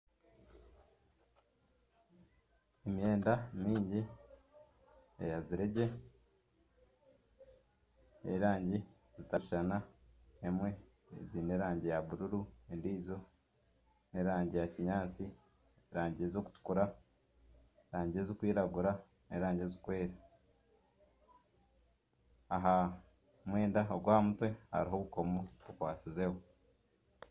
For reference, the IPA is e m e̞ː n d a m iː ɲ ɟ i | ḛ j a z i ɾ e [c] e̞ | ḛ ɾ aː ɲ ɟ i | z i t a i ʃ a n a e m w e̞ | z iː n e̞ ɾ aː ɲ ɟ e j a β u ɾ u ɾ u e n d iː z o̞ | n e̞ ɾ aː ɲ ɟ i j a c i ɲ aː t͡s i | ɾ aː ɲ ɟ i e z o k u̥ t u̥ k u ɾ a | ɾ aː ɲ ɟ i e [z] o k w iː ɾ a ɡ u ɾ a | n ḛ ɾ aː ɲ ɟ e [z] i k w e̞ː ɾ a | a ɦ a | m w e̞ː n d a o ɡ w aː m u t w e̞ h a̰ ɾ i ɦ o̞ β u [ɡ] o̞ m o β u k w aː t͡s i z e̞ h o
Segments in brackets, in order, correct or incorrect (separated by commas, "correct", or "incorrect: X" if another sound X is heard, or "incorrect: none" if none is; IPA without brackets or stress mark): incorrect: ɟ, correct, correct, incorrect: k